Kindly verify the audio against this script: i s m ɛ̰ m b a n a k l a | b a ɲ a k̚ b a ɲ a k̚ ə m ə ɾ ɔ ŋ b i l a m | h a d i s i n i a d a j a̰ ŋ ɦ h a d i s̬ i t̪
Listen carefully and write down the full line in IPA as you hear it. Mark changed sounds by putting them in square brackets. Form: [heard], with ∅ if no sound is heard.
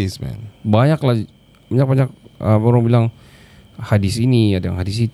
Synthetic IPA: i s m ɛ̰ [n] b a [ɲ] a k l a | b a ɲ a k̚ b a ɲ a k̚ ə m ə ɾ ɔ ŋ b i l a [ŋ] | h a d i s i n i a d a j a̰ ŋ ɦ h a d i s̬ i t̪